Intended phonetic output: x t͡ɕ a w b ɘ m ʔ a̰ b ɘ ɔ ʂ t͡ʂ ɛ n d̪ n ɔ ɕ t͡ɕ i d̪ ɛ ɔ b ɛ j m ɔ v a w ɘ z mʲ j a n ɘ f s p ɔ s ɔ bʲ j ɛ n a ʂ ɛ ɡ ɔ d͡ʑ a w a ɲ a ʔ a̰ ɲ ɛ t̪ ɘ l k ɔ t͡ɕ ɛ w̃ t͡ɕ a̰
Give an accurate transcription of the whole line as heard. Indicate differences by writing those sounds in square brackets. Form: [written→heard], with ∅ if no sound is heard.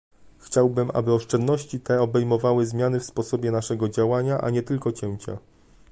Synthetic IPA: x t͡ɕ a w b ɘ m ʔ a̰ b ɘ ɔ ʂ t͡ʂ ɛ n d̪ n ɔ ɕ t͡ɕ i [d̪→t̪] ɛ ɔ b ɛ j m ɔ v a w ɘ z mʲ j a n ɘ f s p ɔ s ɔ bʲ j ɛ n a ʂ ɛ ɡ ɔ d͡ʑ a w a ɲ a ʔ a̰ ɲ ɛ t̪ ɘ l k ɔ t͡ɕ ɛ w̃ t͡ɕ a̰